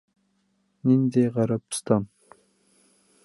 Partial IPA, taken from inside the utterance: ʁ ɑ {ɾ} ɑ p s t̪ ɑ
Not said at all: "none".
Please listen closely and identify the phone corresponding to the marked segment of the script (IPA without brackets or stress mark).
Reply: ɾ